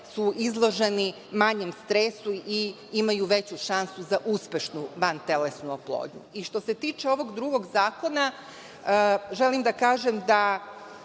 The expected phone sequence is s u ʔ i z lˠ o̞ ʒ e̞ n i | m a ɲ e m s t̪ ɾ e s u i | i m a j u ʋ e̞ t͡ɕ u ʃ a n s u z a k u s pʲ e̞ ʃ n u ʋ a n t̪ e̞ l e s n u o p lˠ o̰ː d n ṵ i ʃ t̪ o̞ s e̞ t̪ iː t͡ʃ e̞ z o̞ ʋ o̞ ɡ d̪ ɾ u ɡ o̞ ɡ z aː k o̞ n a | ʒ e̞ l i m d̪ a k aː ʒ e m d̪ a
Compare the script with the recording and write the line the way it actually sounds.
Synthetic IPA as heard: s u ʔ i z lˠ o̞ ʒ e̞ n i | m a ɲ e m s t̪ ɾ e s u i | i m a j u ʋ e̞ t͡ɕ u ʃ a n s u z a ʔ u s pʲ e̞ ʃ n u ʋ a n t̪ e̞ l e s n u o p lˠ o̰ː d ɲ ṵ i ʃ t̪ o̞ s e̞ t̪ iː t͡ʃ e̞ o̞ ʋ o̞ ɡ d̪ ɾ u ɡ o̞ ɡ z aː k o̞ n a | ʒ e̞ l i m d̪ a k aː ʒ e m d̪ a

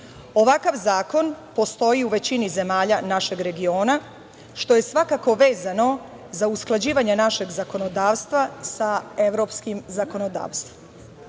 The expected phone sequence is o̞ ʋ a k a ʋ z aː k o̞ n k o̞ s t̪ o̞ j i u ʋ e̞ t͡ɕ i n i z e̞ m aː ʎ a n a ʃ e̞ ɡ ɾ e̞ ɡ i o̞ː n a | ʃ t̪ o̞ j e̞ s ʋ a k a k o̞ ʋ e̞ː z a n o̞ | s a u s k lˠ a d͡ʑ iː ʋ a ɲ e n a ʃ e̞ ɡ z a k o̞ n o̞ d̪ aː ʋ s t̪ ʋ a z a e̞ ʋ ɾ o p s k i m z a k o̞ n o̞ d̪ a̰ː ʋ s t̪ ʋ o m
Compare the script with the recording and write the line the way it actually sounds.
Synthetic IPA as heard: o̞ ʋ a k a ʋ z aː k o̞ n p o̞ s t̪ o̞ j i u ʋ e̞ t͡ɕ i n i z e̞ m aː ʎ a n a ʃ e̞ ɡ ɾ e̞ ɡ i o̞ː n a | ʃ t̪ o̞ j e̞ s ʋ a k a k o̞ ʋ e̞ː z a n o̞ | z a u s k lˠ a d͡ʑ iː ʋ a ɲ e n a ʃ e̞ ɡ z a k o̞ n o̞ d̪ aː ʋ s t̪ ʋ a s a e̞ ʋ ɾ o p s k i m z a k o̞ n o̞ d̪ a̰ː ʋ s t̪ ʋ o m

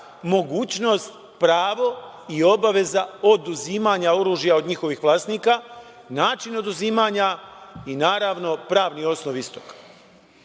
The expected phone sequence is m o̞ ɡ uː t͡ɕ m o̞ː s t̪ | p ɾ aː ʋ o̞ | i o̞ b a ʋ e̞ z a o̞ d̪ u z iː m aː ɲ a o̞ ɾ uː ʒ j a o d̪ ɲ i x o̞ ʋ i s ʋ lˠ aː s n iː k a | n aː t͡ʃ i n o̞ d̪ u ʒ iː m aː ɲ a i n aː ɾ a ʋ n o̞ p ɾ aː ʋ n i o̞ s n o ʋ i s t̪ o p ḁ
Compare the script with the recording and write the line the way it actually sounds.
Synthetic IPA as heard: m o̞ ɡ uː t͡ɕ n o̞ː s t̪ | p ɾ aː ʋ o̞ | i o̞ b a ʋ e̞ z a o̞ d̪ u z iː m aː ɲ a o̞ ɾ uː ʒ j a o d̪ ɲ i x o̞ ʋ i x ʋ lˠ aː s n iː k a | n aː t͡ʃ i n o̞ d̪ u z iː m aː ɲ a i n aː ɾ a ʋ n o̞ p ɾ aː ʋ n i o̞ s n o ʋ i s t̪ o k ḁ

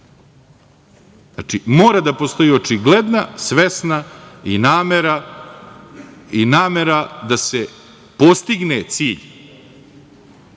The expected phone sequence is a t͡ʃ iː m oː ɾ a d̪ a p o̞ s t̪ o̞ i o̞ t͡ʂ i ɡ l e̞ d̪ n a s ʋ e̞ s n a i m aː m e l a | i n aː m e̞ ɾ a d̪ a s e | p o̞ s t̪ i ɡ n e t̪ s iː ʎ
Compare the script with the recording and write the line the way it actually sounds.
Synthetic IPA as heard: a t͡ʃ i m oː ɾ a d̪ a p o̞ s t̪ o̞ i o̞ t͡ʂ i ɡ l e̞ d̪ n a s ʋ e̞ s n a i n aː m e ɾ a | i n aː m e̞ ɾ a d̪ a s e | p o̞ s t̪ i ɡ n e t̪ s iː ʎ

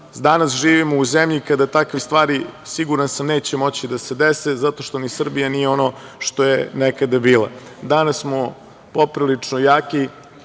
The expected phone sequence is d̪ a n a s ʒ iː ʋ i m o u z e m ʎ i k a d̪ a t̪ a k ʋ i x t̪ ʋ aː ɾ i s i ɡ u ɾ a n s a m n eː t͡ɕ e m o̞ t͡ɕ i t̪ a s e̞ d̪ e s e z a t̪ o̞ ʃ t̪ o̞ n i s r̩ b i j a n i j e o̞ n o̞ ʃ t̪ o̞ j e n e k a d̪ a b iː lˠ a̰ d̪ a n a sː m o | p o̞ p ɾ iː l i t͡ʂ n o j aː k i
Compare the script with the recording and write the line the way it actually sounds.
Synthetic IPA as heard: d̪ a n a s ʒ iː ʋ i m o u z e m ʎ i k a d̪ a t̪ a k ʋ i s t̪ ʋ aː ɾ i s i ɡ u ɾ a n s a m n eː t͡ɕ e m o̞ t͡ɕ i d̪ a s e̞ d̪ e s e z a t̪ o̞ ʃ t̪ o̞ n i s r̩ b i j a n i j e o̞ n o̞ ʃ t̪ o̞ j e n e k a d̪ a b iː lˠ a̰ d̪ a n a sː m o | p o̞ p ɾ i l i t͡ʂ n o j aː k i

